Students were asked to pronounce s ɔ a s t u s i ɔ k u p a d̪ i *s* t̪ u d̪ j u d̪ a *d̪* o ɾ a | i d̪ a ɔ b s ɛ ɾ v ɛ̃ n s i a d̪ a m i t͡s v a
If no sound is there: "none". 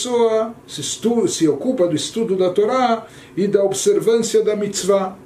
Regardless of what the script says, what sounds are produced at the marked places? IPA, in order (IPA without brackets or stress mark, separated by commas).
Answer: s, t̪